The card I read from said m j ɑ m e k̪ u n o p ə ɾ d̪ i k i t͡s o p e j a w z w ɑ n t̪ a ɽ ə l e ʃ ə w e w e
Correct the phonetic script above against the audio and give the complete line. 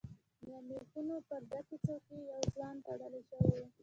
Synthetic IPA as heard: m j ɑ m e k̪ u n o p ə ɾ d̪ a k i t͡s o k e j a w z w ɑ n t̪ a ɽ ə l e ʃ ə w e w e